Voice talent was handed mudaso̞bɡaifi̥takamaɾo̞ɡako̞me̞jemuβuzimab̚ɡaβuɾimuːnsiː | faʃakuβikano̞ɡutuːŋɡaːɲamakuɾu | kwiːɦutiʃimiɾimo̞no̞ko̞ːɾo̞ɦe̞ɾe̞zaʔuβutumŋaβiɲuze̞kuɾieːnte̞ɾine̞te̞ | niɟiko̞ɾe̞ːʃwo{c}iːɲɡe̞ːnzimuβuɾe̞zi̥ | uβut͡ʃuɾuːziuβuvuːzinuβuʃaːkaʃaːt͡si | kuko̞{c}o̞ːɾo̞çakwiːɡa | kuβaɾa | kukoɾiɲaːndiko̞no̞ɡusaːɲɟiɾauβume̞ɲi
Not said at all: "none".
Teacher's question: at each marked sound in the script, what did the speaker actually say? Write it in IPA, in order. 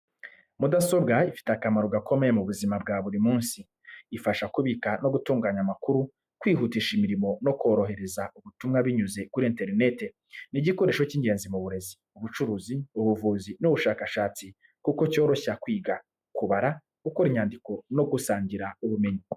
c, c

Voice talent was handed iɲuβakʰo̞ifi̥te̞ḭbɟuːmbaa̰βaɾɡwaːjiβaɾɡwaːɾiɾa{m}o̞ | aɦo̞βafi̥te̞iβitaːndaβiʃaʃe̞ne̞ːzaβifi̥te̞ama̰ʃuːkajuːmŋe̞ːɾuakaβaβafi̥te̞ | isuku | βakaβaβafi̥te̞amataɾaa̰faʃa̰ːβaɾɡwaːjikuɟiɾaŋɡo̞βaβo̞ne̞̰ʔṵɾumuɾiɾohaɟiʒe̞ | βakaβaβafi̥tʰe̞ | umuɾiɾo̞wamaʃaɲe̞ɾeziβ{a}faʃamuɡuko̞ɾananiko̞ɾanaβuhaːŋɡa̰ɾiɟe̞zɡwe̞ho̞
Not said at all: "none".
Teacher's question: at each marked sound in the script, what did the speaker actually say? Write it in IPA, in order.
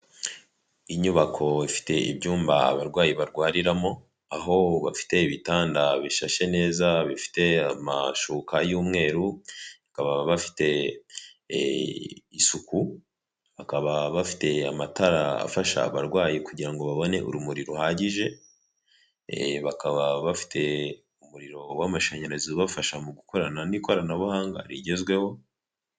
m, a

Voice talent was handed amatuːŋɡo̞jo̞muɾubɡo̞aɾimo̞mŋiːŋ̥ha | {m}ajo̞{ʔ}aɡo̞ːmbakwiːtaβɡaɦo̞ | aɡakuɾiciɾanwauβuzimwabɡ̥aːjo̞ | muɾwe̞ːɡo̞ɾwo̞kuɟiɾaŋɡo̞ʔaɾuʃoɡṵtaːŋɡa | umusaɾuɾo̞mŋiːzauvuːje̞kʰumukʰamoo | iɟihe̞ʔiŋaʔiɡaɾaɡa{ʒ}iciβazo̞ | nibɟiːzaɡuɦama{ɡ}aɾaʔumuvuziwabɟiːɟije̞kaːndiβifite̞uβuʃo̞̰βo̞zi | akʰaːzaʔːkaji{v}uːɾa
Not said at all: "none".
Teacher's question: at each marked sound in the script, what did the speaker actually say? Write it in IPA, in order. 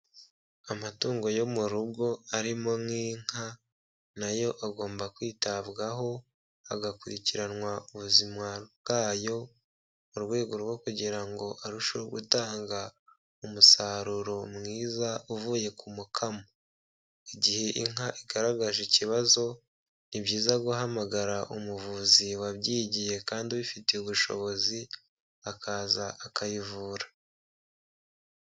n, ʔ, ʒ, ɡ, v

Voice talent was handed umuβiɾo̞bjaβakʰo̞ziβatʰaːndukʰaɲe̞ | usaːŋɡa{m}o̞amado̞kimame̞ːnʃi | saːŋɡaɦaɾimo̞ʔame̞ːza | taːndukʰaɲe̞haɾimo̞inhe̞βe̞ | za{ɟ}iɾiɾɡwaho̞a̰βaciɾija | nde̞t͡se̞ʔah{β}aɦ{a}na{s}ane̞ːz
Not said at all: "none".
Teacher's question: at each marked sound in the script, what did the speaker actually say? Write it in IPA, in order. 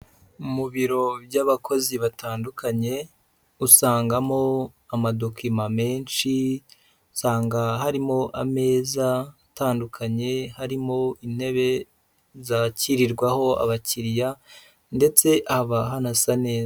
m, c, β, a, s

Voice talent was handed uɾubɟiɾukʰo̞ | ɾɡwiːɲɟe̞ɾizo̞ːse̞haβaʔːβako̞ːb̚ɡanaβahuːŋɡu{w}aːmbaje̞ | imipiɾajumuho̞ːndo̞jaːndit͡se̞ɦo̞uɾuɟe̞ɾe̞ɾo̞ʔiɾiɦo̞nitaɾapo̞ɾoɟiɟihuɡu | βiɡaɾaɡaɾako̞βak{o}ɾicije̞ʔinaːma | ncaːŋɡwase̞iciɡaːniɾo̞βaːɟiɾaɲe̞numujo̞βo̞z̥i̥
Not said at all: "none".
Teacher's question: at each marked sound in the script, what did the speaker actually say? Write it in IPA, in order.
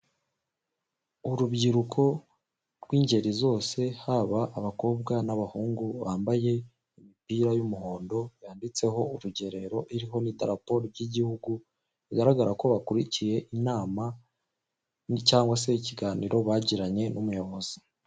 β, u

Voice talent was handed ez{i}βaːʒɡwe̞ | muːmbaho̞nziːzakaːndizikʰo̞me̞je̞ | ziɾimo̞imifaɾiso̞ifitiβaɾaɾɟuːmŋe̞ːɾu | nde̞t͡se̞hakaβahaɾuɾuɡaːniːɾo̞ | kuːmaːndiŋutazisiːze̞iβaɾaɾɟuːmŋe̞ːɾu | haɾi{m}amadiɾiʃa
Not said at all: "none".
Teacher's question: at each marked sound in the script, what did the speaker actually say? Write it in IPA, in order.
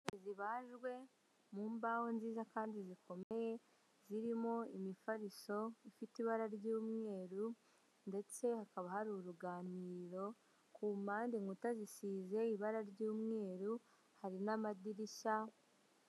i, n

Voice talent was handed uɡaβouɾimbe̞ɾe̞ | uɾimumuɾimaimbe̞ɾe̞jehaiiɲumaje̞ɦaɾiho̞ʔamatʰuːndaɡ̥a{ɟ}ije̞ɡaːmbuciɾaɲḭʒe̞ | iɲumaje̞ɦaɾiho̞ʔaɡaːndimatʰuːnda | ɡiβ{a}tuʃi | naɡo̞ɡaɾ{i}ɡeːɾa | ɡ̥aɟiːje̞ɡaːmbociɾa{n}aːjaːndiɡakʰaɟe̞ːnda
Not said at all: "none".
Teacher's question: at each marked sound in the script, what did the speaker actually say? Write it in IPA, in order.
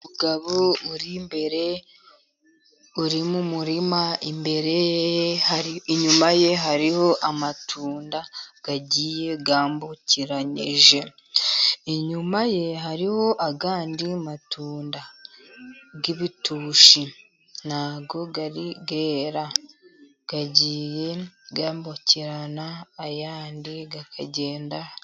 ɟ, i, i, n

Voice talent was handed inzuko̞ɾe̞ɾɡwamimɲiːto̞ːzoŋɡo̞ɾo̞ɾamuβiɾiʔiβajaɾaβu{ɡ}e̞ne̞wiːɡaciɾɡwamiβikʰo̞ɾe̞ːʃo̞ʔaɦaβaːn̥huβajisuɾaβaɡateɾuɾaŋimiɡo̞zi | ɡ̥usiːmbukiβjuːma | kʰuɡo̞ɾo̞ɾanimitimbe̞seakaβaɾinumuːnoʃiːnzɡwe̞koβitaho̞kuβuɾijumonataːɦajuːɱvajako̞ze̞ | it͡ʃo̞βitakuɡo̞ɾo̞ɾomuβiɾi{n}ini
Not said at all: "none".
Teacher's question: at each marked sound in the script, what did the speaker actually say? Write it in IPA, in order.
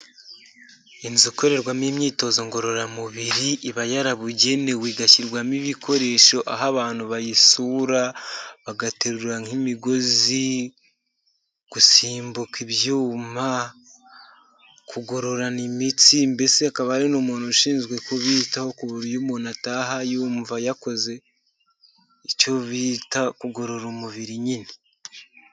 ɟ, ɲ

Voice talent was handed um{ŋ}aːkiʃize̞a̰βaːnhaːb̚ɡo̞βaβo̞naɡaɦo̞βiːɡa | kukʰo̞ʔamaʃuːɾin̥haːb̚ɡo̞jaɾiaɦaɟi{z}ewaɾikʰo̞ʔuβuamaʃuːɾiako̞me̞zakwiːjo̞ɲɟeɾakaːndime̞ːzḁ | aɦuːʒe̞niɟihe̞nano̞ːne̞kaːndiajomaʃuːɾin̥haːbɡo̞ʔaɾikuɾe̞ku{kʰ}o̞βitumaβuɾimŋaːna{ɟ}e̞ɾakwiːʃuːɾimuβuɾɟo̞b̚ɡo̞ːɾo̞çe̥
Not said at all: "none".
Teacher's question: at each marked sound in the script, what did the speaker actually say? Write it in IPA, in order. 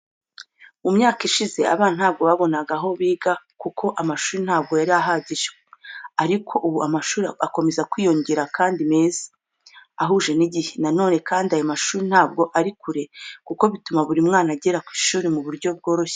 ɲ, ʒ, k, ɟ

